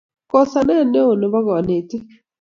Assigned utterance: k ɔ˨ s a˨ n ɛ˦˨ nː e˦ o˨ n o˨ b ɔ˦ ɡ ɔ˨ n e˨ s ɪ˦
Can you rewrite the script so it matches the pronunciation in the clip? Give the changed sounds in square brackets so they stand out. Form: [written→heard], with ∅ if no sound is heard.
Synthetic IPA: k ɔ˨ s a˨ n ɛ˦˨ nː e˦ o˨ n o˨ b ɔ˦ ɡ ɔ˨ n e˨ [s→t] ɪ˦